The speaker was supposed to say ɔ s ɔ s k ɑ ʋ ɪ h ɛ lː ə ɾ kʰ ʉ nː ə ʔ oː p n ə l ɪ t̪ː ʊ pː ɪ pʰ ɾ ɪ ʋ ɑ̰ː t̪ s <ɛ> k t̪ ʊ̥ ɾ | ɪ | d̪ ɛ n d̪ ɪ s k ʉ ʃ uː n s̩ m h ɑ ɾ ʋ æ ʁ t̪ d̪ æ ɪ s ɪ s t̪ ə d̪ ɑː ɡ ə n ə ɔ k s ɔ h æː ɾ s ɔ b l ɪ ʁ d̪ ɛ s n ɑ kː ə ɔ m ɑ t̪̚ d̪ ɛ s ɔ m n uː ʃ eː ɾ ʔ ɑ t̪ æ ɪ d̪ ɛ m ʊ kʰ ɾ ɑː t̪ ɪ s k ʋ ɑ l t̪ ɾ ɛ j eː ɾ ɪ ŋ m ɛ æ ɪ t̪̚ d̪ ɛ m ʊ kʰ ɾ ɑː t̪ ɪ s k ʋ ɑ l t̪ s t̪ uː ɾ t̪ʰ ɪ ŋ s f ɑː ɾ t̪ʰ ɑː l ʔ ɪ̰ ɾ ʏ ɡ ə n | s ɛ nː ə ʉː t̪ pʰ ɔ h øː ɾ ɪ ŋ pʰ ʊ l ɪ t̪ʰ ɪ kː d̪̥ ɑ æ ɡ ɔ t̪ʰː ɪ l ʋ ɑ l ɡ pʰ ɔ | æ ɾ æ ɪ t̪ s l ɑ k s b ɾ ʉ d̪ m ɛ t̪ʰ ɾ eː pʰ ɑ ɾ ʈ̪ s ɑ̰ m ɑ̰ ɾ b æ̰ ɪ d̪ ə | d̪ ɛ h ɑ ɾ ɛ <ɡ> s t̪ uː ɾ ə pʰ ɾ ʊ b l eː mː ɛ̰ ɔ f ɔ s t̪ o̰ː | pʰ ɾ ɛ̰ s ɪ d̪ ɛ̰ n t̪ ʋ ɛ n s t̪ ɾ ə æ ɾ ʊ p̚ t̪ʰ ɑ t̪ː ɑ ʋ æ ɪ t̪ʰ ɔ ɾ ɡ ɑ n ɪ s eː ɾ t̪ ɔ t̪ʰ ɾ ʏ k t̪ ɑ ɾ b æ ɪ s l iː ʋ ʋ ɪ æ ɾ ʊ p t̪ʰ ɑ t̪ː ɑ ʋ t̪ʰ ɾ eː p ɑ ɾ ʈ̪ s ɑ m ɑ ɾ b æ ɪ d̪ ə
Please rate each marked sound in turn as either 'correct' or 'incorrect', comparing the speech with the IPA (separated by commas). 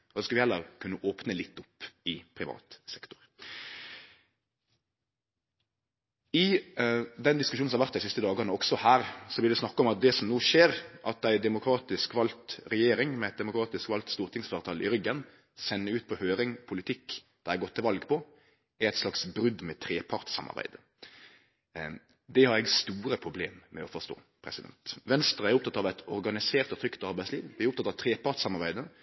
correct, correct